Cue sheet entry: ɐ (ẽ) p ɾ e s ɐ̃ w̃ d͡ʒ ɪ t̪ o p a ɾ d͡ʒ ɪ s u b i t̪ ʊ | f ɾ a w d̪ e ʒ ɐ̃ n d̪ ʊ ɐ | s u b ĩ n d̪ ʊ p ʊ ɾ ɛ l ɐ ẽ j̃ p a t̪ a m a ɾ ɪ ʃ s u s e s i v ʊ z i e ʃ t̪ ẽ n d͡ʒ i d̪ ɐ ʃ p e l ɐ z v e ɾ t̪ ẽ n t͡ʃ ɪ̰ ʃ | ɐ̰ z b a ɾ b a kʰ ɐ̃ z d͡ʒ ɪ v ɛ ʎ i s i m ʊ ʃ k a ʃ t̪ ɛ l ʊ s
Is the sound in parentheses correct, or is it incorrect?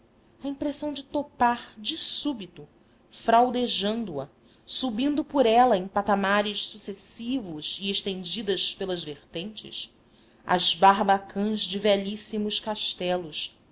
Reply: incorrect: ĩ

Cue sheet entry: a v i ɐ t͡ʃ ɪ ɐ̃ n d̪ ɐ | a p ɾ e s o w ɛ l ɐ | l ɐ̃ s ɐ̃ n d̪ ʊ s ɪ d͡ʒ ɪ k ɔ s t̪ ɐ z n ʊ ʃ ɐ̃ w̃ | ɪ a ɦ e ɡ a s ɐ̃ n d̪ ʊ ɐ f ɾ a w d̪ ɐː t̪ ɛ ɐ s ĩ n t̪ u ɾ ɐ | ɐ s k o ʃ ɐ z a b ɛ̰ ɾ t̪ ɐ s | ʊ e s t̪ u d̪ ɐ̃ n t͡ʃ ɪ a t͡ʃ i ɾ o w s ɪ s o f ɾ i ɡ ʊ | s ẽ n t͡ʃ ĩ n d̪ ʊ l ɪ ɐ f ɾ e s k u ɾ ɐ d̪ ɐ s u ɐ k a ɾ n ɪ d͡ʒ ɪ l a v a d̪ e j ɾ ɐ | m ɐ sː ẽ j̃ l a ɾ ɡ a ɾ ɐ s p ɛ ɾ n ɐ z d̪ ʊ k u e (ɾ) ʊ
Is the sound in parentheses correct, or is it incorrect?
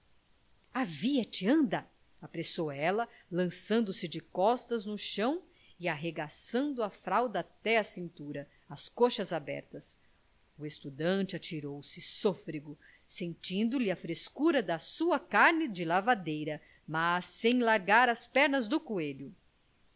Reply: incorrect: ʎ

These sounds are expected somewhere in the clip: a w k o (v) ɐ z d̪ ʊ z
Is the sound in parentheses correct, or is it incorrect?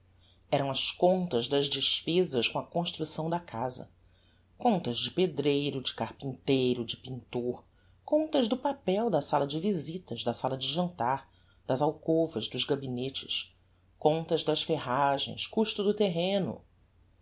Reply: correct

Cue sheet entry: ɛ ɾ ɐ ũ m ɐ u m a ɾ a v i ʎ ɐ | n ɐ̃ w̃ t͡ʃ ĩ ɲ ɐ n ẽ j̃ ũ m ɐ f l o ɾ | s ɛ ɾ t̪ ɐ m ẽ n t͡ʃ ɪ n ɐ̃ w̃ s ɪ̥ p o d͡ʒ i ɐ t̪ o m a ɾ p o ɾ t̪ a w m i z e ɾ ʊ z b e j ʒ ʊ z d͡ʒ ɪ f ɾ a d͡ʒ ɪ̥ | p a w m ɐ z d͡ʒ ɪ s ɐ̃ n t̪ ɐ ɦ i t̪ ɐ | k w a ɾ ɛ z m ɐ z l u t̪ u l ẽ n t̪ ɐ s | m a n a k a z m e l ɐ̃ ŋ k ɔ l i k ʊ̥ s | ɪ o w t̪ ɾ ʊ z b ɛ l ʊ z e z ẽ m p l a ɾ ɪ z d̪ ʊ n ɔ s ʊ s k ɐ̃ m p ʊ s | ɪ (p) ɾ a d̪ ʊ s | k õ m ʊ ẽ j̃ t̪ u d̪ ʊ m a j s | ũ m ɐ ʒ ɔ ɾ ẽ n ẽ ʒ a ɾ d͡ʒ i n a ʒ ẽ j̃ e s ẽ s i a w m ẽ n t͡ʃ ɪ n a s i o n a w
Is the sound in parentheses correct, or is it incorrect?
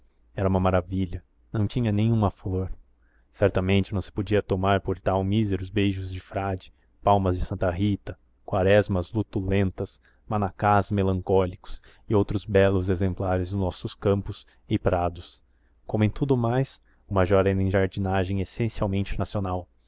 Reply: correct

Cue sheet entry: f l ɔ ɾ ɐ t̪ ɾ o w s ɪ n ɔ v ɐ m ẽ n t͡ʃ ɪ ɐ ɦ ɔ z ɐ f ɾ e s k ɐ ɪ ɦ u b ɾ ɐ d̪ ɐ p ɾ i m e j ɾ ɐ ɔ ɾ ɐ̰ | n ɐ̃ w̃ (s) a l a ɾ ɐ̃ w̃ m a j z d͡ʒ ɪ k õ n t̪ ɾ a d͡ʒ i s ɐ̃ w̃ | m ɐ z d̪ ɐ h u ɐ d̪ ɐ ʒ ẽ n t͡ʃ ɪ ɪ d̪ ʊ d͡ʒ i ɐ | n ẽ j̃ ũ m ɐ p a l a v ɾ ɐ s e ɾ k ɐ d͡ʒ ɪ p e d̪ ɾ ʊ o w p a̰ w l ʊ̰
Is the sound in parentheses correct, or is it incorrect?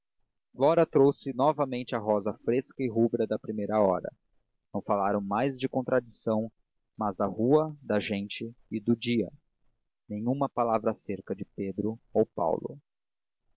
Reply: incorrect: f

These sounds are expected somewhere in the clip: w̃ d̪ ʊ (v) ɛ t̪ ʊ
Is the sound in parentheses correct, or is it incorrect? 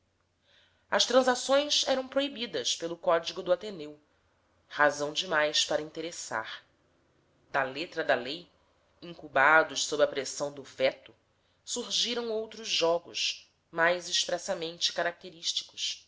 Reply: correct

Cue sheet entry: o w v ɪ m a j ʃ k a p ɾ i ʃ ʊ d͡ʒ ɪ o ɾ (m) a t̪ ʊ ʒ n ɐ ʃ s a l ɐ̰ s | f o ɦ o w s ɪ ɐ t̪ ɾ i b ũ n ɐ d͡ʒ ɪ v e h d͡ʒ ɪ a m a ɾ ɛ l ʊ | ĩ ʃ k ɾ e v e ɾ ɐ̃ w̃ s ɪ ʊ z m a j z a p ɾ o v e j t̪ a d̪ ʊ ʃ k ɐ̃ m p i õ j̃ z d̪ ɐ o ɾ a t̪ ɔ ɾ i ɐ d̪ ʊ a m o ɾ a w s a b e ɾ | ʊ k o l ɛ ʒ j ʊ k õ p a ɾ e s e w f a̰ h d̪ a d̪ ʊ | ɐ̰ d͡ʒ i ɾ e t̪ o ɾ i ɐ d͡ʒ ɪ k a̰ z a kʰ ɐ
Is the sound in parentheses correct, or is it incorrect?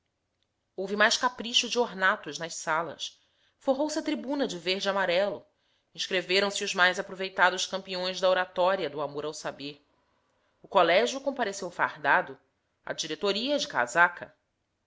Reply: incorrect: n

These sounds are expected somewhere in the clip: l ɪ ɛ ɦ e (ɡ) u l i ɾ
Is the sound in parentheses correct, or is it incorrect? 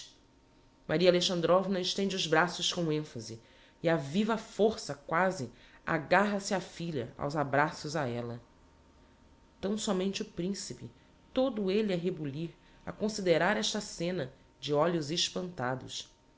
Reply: incorrect: b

